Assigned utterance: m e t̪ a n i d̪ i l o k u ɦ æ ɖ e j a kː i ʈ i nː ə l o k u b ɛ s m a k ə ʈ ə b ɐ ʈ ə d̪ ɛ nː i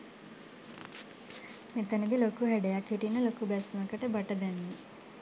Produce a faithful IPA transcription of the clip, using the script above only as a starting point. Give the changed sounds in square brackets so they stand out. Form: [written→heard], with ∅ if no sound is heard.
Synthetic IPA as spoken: m e t̪ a n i d̪ i l o k u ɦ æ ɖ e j a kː i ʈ i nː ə l o k u b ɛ s m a k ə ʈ ə b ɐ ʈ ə d̪ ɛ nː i